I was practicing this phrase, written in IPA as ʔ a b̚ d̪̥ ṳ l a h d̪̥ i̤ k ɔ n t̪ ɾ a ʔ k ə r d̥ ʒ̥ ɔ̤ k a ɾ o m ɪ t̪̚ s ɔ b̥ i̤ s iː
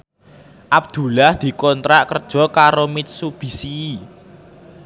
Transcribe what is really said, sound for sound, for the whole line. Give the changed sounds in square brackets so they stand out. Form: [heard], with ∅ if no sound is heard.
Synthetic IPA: ʔ a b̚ d̪̥ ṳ l a h d̪̥ i̤ k ɔ n t̪ ɾ a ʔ k ə r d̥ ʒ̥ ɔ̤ k a ɾ o m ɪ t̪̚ s [u] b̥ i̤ s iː

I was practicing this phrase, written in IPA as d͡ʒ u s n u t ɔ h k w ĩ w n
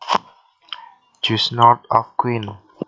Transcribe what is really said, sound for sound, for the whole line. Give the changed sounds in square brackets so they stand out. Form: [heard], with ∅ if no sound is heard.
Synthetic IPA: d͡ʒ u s n [ɔ] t ɔ [f] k w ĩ [∅] n

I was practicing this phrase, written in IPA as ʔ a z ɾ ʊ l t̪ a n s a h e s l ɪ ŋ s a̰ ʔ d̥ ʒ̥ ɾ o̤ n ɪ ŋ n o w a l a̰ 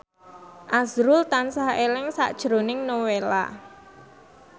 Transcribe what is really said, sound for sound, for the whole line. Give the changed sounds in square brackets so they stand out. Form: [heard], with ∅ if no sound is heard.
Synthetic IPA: ʔ a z ɾ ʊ l t̪ a n s a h e [∅] l ɪ ŋ s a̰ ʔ d̥ ʒ̥ ɾ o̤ n ɪ ŋ n o w [e] l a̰

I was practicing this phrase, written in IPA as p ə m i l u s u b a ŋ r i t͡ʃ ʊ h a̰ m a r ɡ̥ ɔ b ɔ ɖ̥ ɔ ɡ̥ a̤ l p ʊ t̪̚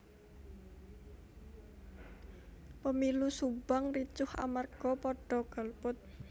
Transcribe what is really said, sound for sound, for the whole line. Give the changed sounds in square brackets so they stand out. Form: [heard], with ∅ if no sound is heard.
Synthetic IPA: p ə m i l u s u b a ŋ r i t͡ʃ ʊ h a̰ m a r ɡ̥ ɔ [p] ɔ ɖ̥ ɔ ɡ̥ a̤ l p ʊ t̪̚

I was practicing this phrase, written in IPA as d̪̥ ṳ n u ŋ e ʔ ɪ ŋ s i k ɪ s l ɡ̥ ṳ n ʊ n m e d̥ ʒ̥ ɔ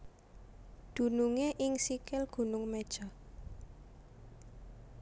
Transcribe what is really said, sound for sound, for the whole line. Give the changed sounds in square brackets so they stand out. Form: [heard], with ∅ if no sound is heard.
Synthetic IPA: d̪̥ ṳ n u ŋ e ʔ ɪ ŋ s i k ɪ [∅] l ɡ̥ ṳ n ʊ [ŋ] m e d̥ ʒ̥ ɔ

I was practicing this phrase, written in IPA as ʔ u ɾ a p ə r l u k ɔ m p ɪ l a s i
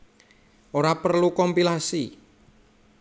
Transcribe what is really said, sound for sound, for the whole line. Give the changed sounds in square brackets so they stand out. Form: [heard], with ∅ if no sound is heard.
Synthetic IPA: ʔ [o] ɾ a p ə r l u k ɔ m p [i] l a s i

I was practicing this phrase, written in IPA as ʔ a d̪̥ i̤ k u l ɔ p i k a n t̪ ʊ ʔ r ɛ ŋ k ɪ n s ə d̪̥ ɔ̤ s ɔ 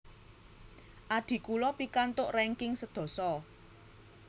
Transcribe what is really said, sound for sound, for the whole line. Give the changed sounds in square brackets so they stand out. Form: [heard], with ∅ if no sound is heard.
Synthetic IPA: ʔ a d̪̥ i̤ k u l ɔ p i k a n t̪ ʊ ʔ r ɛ ŋ k ɪ [ŋ] s ə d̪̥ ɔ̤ s ɔ

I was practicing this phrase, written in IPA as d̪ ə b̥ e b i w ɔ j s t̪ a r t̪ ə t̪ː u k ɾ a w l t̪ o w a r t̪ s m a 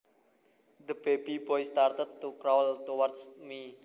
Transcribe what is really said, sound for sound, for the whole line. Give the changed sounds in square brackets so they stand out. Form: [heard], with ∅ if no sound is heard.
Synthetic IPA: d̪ ə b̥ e b i [b] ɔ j s t̪ a r t̪ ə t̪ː u k ɾ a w l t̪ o w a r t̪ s m [i]

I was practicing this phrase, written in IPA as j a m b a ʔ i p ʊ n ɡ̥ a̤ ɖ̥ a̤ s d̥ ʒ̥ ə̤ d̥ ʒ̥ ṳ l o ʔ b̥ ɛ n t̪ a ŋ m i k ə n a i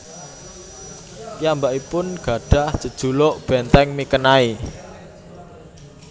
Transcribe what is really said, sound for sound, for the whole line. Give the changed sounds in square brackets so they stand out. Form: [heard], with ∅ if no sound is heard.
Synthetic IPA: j a m b a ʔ i p ʊ n ɡ̥ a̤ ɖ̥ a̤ [h] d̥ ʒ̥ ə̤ d̥ ʒ̥ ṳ l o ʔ b̥ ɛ n t̪ [ɛ] ŋ m i k ə n a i

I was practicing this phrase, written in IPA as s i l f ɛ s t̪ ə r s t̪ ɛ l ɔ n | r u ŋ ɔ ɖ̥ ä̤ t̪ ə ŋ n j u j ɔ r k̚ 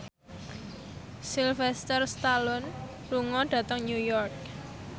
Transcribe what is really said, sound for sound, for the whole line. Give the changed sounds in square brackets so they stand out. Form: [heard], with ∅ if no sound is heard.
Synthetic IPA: s i l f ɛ s t̪ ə r s t̪ [a] l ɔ n | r u ŋ ɔ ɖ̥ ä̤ t̪ ə ŋ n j u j ɔ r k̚

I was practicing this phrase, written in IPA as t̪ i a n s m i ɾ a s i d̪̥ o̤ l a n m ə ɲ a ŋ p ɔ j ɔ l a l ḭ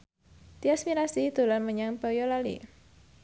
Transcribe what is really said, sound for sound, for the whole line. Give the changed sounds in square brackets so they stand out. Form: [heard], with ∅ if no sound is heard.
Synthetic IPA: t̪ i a [∅] s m i ɾ a s i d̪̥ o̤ l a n m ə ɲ a ŋ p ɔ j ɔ l a l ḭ

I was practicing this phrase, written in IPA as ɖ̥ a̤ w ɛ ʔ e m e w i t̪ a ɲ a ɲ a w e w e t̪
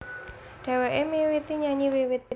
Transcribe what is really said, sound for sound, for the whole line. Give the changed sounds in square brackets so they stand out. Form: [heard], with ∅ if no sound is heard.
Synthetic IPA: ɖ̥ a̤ w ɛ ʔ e m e w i t̪ [i] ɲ a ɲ [i] w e w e t̪

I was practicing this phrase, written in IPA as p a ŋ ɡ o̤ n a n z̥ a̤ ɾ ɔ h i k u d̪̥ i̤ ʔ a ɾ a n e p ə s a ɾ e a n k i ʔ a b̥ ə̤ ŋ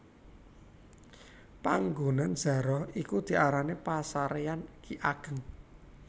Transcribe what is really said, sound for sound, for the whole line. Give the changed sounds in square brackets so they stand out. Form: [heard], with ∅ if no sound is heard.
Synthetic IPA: p a ŋ ɡ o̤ n a n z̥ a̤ ɾ ɔ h i k u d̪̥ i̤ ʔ a ɾ a n e p [a] s a ɾ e a n k i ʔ a [ɡ̥] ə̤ ŋ

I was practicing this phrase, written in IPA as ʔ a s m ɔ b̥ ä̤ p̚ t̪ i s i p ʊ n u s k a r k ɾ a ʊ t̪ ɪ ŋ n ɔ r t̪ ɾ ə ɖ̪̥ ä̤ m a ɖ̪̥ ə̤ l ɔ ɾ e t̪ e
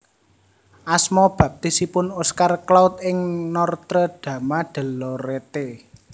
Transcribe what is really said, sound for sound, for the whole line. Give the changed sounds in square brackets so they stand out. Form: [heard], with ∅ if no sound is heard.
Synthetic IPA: ʔ a s m ɔ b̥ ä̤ p̚ t̪ i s i p ʊ n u s k a r k [l] a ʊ t̪ ɪ ŋ n ɔ r t̪ ɾ ə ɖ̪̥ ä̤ m a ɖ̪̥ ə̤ l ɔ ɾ e t̪ e

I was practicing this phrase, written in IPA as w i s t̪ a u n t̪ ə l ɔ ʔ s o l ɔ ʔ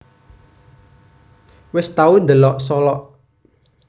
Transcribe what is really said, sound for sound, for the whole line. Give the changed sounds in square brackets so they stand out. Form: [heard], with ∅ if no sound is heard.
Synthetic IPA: w [ɪ] s t̪ a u n [d̪] ə l ɔ ʔ s [ɔ] l ɔ ʔ

